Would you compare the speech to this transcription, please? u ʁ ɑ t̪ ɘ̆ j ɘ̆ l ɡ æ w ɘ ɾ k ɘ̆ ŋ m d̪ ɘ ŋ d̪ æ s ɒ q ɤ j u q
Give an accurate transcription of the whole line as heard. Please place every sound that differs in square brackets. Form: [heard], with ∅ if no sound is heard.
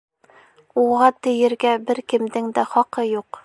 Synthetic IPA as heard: u ʁ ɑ t̪ ɘ̆ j ɘ̆ [ɾ] ɡ æ [b] ɘ ɾ k ɘ̆ [∅] m d̪ ɘ ŋ d̪ æ [χ] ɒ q ɤ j u q